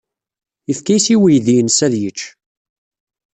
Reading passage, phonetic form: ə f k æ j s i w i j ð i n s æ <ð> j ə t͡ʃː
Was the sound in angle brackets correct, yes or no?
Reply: yes